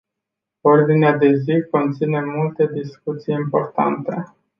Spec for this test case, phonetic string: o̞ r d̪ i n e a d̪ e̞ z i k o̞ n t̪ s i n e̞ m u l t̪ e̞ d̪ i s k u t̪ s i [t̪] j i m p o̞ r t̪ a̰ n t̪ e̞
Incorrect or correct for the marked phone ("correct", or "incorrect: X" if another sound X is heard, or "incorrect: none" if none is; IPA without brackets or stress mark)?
incorrect: none